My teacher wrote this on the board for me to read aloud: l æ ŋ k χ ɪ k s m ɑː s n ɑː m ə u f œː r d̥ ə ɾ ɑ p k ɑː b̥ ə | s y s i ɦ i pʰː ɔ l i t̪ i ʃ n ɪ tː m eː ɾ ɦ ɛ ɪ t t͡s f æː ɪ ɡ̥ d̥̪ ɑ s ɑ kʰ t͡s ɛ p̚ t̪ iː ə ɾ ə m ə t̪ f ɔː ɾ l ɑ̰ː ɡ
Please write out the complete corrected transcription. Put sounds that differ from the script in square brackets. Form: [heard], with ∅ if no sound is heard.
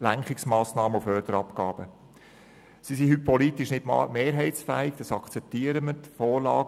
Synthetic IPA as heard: l æ ŋ k χ ɪ k s m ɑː s n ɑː m ə u f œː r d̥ ə ɾ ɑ p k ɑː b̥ ə | s [i] s i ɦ [y] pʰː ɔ l i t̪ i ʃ n ɪ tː m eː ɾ ɦ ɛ ɪ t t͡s f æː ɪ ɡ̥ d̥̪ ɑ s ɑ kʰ t͡s ɛ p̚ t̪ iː ə ɾ ə m ə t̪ f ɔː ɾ l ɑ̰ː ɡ